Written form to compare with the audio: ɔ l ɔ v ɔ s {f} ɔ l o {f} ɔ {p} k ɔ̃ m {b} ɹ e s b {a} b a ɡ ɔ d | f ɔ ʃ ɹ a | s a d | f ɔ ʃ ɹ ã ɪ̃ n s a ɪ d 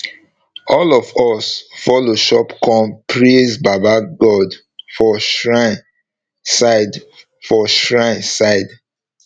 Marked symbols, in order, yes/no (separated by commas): yes, no, yes, no, yes